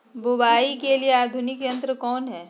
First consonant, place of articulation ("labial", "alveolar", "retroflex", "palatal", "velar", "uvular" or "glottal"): labial